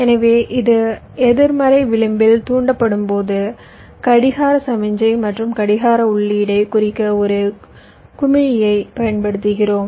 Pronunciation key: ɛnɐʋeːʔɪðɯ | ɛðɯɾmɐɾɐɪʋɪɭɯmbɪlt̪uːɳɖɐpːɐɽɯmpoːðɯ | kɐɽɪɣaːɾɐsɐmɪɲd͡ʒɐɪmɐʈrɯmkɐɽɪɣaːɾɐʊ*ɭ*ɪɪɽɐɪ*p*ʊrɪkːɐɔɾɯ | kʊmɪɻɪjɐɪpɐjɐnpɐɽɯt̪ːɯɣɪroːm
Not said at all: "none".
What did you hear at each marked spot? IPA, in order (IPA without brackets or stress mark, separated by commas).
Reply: ɭː, k